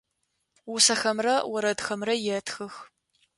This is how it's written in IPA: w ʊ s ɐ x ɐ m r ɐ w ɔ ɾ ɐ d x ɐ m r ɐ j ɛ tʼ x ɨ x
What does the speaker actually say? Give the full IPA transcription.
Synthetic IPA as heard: w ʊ s ɐ x ɐ m r ɐ w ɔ ɾ ɐ d x ɐ m r ɐ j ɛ t x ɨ x